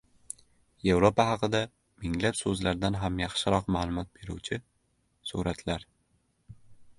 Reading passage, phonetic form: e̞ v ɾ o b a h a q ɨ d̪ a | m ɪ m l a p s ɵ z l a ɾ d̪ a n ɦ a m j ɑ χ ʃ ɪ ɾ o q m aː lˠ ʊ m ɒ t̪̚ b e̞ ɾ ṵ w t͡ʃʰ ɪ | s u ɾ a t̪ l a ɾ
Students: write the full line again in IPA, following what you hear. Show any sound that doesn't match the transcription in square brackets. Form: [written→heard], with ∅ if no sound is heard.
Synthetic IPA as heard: e̞ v ɾ o [b→p] a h [a→ɑ] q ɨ d̪ a | m ɪ [m→ŋ] l a p s ɵ z l a ɾ d̪ a n ɦ a m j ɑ χ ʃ ɪ ɾ [o→ɒ] q m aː lˠ ʊ m ɒ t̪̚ b e̞ ɾ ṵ w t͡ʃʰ ɪ | s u ɾ a t̪ l a ɾ